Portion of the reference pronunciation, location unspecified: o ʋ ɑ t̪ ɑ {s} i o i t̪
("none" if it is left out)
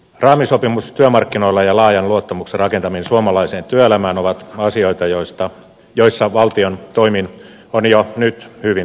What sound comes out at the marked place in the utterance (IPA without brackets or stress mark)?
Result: s